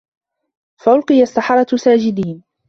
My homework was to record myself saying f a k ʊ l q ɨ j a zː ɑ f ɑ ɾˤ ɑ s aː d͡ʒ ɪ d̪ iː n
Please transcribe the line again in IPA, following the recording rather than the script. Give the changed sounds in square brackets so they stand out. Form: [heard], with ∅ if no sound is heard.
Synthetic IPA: f a [ʔ] ʊ l q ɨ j a [sː] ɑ [ħ] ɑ ɾˤ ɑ s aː d͡ʒ ɪ d̪ iː n